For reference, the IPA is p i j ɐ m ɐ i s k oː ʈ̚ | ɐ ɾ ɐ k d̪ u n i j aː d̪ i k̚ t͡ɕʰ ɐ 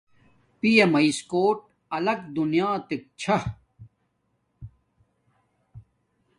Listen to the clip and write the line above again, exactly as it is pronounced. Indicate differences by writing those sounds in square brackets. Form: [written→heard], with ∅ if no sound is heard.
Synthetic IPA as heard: p i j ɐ m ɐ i s k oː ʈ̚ | ɐ [ɾ→l] ɐ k d̪ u n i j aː [d̪→t̪] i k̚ t͡ɕʰ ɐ